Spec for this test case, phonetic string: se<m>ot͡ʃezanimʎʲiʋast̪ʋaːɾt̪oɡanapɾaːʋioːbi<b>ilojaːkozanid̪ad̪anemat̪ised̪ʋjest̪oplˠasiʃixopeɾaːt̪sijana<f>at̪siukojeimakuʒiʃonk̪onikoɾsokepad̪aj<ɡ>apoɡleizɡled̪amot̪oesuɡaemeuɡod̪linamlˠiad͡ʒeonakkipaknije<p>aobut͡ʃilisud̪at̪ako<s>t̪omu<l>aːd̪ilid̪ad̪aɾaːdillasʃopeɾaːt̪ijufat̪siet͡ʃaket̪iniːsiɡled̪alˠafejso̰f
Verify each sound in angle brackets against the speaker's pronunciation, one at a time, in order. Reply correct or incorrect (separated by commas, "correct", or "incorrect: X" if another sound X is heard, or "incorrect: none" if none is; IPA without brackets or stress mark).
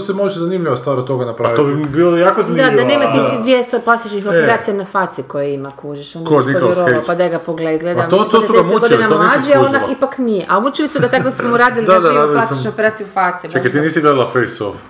correct, correct, correct, correct, incorrect: ʔ, correct, incorrect: ɾ